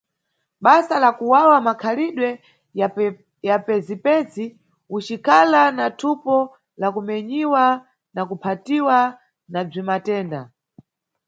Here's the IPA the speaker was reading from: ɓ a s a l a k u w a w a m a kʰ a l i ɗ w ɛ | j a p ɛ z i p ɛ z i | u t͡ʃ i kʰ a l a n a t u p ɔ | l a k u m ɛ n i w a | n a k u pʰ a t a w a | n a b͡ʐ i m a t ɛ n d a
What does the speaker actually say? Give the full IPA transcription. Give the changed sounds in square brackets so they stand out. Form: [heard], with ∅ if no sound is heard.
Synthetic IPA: ɓ a s a l a k u w a w a m a kʰ a l i ɗ w ɛ | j a p ɛ z i p ɛ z i | u t͡ʃ i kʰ a l a n a [tʰ] u p ɔ | l a k u m ɛ [ɲ] i w a | n a k u pʰ a t [i] w a | n a b͡ʐ i m a t [ɛː] n d a